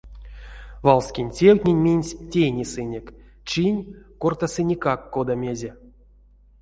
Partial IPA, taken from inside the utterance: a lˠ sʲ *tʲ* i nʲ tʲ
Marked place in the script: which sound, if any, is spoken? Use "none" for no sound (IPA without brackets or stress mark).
kʲ